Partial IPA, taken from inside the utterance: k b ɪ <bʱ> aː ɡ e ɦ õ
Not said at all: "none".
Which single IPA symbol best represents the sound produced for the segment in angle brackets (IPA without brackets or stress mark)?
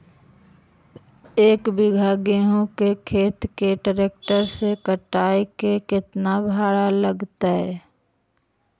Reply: ɡʱ